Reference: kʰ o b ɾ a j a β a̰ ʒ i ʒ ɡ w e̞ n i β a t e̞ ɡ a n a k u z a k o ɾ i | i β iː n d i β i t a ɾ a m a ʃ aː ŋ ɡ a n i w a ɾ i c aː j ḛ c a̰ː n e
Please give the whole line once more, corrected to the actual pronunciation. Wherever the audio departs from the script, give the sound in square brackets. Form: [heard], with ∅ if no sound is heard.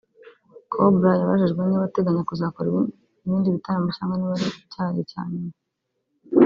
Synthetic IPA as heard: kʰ o b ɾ a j a β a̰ ʒ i ʒ ɡ w e̞ n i β a t e̞ ɡ a [ɲ] a k u z a k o ɾ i | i β iː n d i β i t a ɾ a m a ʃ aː ŋ ɡ a n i [β] a ɾ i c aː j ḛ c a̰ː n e